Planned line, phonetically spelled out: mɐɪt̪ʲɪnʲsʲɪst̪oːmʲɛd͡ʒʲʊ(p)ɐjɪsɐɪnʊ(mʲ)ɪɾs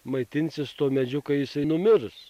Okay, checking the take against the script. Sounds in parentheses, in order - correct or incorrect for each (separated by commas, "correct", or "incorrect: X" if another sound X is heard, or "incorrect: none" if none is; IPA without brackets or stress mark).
incorrect: k, correct